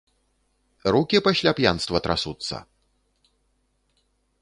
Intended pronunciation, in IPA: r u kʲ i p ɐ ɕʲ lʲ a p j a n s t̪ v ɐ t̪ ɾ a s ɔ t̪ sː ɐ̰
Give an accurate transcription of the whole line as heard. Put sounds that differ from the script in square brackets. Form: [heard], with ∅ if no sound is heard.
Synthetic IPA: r u kʲ i p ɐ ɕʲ lʲ a p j a n s t̪ v ɐ t̪ ɾ a s [u] t̪ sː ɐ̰